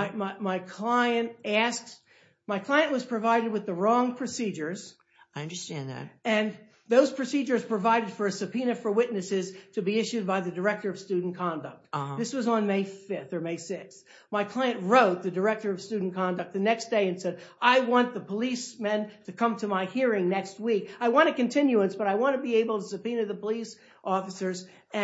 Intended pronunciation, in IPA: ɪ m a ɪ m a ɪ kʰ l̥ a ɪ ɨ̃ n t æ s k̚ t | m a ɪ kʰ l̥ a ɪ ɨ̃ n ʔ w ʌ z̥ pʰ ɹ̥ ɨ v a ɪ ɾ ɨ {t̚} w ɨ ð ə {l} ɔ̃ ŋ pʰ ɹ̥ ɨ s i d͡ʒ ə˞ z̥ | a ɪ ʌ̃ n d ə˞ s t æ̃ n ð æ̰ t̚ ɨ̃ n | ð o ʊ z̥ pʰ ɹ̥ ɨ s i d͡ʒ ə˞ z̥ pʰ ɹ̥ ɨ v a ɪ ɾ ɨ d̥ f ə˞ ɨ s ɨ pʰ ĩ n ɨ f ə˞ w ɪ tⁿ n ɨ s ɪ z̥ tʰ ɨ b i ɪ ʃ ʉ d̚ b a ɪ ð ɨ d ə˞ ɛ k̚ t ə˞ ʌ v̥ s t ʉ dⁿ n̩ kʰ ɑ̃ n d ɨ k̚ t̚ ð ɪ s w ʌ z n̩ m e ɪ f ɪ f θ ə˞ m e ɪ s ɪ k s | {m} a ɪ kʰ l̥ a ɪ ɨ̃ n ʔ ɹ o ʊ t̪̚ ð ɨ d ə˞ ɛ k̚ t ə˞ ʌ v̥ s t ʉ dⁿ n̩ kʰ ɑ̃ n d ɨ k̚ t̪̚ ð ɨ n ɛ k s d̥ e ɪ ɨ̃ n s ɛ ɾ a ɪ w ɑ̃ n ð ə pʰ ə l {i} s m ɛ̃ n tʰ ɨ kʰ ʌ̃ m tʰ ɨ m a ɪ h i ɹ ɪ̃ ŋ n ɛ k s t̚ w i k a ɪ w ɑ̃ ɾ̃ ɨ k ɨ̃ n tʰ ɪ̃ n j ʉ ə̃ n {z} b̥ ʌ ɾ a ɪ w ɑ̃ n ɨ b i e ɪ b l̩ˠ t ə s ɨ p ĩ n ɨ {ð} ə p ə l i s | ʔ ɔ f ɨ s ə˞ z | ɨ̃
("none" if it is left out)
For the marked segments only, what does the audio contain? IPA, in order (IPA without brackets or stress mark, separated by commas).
d̚, ɹ, m, i, s, ð